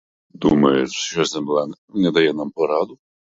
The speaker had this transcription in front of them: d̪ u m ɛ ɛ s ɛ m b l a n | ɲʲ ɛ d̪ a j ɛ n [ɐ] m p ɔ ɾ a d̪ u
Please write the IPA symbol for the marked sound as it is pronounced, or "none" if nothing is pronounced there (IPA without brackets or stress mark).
a